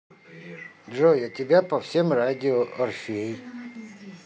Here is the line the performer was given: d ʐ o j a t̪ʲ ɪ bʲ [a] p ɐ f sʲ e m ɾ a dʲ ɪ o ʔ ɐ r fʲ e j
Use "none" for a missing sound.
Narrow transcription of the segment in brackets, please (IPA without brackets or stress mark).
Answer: a